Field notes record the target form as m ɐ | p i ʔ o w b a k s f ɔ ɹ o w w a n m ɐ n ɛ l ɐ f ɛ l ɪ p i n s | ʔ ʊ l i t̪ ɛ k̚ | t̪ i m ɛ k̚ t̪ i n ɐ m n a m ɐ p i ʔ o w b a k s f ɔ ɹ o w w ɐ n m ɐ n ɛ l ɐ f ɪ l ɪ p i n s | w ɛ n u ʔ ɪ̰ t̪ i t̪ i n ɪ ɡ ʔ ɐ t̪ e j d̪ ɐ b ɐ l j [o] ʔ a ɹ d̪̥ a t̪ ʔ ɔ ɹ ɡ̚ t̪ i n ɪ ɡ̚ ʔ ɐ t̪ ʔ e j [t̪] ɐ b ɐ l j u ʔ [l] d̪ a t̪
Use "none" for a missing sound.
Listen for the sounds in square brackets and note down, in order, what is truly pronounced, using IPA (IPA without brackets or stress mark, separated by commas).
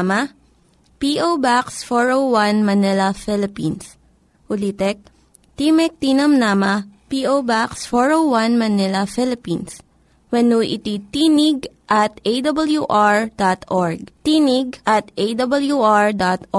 u, d̪, ɹ